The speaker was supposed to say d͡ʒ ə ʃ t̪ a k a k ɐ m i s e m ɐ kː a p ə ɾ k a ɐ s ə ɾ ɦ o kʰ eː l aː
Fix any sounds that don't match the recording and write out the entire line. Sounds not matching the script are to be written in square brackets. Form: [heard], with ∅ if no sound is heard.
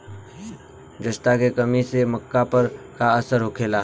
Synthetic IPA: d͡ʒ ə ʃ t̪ a k [e] k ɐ m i s e m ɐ kː a p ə ɾ k a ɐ s ə ɾ ɦ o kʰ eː l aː